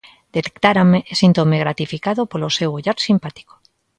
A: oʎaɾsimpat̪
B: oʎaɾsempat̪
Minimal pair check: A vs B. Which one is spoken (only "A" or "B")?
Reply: A